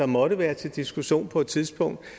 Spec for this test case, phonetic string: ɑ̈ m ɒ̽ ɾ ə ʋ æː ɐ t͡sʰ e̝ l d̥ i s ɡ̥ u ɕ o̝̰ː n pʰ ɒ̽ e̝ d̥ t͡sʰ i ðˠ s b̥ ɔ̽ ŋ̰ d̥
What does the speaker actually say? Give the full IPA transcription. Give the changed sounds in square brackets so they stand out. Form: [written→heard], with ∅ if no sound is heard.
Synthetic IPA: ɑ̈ m ɒ̽ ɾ ə ʋ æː ɐ t͡sʰ e̝ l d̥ i s ɡ̥ u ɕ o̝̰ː n pʰ ɒ̽ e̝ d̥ t͡sʰ i ðˠ s b̥ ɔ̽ ŋ̰ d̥